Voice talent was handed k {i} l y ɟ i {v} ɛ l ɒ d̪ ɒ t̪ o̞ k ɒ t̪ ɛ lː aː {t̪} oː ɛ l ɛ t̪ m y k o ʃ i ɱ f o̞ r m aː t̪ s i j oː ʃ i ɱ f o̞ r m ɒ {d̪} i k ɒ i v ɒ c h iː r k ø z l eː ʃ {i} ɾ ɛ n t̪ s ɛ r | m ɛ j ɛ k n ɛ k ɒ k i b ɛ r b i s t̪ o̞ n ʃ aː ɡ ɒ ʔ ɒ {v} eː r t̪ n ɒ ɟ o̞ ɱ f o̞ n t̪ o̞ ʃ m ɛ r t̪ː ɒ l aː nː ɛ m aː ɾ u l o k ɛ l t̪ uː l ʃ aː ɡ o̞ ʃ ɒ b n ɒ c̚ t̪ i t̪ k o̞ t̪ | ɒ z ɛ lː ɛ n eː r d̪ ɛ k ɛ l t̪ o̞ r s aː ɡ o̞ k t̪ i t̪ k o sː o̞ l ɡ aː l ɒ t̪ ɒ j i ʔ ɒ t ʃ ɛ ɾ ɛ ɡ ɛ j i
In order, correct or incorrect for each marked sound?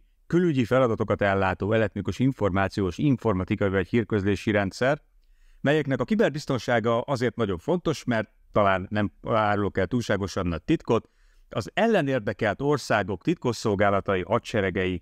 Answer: incorrect, incorrect, correct, incorrect, correct, incorrect

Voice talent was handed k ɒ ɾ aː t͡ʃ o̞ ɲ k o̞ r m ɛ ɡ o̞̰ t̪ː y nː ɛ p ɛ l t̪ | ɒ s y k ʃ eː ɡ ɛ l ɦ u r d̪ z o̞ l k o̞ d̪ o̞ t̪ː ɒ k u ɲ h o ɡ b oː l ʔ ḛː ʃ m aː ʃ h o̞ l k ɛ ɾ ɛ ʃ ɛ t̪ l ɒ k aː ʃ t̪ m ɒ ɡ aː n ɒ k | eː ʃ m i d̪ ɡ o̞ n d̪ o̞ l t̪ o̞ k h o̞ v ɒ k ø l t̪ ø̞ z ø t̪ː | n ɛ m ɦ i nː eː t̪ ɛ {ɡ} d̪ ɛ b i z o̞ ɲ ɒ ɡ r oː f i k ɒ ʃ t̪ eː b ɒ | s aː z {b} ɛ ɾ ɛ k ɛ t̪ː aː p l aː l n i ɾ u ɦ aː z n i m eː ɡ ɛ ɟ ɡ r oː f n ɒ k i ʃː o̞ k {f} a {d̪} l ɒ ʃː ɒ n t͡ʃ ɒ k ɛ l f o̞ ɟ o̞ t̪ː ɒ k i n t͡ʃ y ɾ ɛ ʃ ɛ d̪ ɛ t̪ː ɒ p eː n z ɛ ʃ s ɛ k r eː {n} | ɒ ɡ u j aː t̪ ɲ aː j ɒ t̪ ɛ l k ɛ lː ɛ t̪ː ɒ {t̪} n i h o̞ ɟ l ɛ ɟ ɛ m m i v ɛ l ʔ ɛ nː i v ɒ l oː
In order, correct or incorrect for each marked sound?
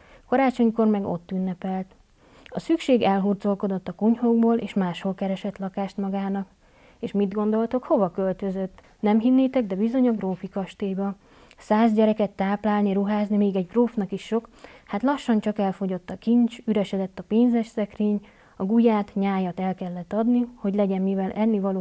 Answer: correct, incorrect, incorrect, incorrect, incorrect, incorrect

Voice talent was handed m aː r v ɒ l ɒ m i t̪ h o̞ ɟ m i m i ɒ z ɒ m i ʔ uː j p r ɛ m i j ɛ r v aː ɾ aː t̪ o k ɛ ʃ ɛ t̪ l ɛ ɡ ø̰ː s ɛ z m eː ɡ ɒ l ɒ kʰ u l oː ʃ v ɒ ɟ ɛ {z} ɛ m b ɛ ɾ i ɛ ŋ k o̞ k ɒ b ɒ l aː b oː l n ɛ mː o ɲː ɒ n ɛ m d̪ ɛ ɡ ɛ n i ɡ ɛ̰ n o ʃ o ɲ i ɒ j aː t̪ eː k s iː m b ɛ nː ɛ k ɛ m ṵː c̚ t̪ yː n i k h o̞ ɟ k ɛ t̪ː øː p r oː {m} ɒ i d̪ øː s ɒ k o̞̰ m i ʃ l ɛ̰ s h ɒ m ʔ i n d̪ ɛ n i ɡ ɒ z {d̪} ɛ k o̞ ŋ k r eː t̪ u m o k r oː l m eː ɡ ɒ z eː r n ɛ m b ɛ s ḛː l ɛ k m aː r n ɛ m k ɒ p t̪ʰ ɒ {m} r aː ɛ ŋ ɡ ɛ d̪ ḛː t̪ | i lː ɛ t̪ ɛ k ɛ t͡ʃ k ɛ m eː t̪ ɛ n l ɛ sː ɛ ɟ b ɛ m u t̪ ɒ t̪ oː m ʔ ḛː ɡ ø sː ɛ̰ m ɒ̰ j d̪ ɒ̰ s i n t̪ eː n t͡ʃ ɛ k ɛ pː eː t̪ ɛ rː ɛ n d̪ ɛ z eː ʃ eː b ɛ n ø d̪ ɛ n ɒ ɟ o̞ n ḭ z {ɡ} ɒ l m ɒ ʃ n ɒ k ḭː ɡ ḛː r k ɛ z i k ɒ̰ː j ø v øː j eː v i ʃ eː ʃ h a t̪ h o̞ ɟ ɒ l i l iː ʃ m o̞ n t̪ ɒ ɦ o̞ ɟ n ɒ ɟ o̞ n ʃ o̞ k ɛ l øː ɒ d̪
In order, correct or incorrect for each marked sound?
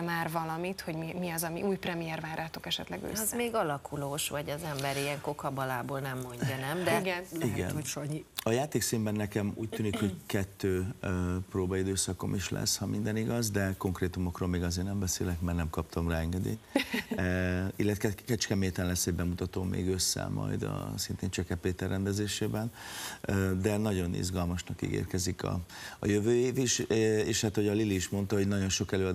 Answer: correct, incorrect, correct, correct, correct

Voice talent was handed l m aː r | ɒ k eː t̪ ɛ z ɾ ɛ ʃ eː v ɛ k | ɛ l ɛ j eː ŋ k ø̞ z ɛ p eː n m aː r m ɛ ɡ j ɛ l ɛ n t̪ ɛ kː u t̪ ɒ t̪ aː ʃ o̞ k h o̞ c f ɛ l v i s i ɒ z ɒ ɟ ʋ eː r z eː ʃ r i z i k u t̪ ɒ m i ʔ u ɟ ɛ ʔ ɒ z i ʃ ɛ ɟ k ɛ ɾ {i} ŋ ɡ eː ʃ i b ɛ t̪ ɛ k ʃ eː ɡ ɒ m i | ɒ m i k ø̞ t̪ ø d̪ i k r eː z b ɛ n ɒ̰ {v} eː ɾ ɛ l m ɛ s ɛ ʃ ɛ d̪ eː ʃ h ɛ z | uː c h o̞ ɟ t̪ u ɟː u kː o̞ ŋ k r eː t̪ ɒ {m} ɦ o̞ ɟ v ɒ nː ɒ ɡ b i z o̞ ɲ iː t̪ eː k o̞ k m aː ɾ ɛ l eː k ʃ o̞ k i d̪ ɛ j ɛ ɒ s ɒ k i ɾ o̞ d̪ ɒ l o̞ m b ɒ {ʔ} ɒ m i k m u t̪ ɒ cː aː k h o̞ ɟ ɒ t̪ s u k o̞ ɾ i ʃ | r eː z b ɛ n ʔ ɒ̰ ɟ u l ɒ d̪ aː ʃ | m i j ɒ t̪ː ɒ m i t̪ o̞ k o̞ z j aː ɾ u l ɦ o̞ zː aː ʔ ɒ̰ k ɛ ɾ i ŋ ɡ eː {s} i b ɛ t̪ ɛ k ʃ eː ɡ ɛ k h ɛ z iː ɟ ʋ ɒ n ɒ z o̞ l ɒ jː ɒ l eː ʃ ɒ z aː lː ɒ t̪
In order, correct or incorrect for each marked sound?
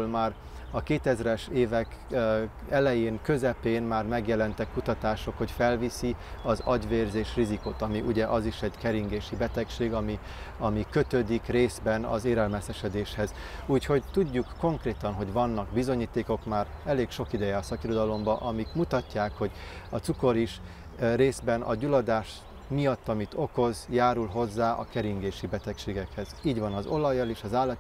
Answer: correct, incorrect, incorrect, correct, incorrect

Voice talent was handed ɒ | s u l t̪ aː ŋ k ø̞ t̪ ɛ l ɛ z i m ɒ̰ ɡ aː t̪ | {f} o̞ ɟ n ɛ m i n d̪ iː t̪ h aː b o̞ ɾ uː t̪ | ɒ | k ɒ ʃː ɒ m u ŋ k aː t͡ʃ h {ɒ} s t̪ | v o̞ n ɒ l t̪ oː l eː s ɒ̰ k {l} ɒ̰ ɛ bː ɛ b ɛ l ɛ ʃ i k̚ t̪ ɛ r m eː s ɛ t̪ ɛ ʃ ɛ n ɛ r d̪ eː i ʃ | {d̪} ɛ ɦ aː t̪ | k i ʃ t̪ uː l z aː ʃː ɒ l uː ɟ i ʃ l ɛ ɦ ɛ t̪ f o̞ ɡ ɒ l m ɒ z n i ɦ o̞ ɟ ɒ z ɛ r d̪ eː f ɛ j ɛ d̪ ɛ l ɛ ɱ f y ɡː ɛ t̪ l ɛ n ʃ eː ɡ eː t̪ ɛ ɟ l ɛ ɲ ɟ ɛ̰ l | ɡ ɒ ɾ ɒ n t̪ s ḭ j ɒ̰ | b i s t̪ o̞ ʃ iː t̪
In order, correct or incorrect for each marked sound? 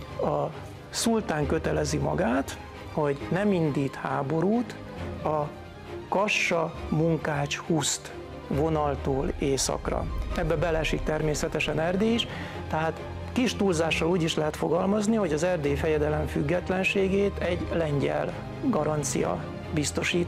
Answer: incorrect, incorrect, incorrect, incorrect

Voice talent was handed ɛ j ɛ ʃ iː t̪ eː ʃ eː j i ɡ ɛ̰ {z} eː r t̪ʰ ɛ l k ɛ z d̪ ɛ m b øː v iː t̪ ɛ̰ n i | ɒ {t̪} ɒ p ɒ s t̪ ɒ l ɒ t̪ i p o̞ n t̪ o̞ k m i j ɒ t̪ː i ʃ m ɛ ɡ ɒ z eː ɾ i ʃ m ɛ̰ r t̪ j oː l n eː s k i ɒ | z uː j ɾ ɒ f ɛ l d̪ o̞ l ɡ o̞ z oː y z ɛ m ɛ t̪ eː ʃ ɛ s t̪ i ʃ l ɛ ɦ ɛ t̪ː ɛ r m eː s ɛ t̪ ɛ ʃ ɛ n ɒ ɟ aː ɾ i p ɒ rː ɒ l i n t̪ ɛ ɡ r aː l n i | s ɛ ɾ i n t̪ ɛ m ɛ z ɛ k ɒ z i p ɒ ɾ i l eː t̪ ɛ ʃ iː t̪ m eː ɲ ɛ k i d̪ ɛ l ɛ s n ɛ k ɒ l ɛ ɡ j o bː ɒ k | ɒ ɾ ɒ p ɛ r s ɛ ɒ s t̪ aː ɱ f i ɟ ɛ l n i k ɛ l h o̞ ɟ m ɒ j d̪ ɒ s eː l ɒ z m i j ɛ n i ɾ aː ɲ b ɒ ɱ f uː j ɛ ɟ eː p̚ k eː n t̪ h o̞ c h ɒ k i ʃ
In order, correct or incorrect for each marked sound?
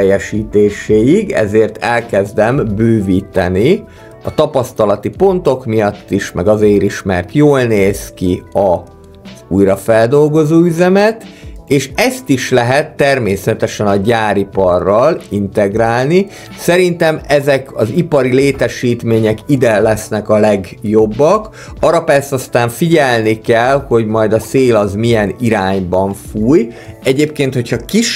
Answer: correct, correct

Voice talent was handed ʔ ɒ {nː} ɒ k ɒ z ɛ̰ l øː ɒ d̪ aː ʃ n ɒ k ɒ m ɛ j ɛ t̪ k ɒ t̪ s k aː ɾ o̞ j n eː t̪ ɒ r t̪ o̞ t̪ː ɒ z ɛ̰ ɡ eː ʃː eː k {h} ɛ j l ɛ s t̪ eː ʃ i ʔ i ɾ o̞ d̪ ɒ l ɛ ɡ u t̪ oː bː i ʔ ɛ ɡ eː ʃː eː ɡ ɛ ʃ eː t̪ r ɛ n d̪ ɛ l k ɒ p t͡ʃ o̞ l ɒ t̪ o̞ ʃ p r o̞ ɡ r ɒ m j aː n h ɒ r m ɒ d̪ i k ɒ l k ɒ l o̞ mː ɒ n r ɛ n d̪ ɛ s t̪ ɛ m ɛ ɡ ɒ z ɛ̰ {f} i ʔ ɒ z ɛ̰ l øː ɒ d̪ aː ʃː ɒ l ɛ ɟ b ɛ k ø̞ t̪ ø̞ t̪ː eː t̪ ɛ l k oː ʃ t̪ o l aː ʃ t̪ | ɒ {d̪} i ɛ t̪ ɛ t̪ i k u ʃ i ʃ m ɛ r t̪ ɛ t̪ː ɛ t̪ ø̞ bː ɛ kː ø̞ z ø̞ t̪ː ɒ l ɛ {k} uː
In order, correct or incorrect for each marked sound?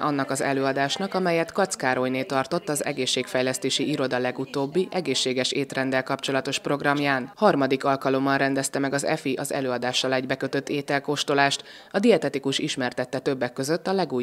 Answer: correct, incorrect, correct, correct, incorrect

